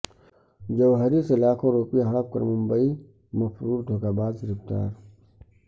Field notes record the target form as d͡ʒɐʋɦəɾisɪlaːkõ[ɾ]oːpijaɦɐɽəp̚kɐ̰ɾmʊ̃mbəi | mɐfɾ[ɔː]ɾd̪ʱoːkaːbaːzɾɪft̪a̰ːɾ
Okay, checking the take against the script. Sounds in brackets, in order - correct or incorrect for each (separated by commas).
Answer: correct, incorrect